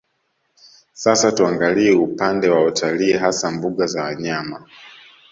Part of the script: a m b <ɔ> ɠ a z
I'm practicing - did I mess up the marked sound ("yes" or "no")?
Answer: yes